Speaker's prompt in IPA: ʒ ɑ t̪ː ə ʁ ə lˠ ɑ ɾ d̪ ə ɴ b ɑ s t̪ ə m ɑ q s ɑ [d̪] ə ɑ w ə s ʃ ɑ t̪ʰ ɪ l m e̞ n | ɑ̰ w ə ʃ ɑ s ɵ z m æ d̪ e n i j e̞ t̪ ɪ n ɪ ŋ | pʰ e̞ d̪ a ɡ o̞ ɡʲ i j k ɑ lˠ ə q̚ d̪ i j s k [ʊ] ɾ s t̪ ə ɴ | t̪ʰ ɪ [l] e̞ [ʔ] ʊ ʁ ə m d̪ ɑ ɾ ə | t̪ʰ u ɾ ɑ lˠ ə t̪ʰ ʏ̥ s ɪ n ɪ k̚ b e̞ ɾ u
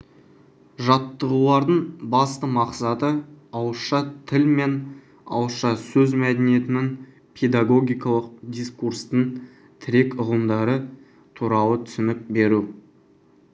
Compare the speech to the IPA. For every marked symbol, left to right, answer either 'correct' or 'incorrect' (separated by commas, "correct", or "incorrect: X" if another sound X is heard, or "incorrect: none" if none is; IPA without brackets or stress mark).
incorrect: t̪, incorrect: u, incorrect: ɾ, incorrect: k